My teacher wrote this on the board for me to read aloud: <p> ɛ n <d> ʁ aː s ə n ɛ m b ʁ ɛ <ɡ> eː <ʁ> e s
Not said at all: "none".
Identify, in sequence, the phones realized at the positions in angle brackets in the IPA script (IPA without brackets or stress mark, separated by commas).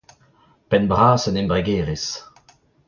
p, b, ɡ, ʁ